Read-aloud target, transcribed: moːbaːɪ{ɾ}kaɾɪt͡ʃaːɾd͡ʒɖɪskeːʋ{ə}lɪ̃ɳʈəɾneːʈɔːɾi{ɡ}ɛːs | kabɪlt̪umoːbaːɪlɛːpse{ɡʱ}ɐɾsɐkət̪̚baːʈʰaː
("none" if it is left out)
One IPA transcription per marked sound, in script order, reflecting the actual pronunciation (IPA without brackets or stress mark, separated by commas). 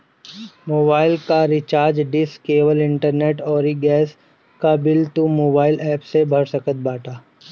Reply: l, ə, ɡ, bʱ